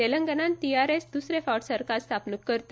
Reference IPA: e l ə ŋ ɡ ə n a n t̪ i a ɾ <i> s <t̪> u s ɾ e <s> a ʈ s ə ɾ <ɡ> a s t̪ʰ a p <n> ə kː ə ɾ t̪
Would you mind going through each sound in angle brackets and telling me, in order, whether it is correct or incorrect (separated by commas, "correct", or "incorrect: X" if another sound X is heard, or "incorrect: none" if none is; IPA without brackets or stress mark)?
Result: incorrect: e, incorrect: d̪, incorrect: f, incorrect: k, correct